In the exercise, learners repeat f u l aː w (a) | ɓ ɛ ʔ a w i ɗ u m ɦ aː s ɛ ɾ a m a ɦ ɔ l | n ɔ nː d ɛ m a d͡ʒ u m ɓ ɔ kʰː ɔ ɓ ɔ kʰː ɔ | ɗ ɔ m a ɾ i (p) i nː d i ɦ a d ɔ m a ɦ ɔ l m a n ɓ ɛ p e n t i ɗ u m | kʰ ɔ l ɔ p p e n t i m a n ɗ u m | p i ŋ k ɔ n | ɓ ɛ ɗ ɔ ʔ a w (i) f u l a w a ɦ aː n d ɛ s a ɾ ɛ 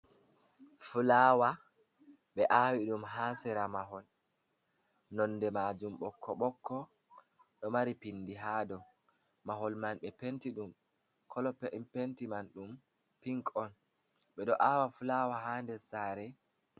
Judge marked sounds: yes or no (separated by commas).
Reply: yes, yes, no